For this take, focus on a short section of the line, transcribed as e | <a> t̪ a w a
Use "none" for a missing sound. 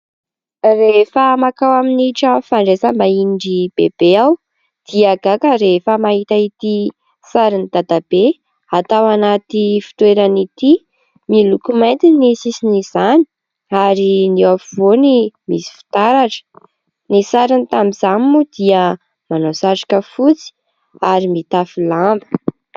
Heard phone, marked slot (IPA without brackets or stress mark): a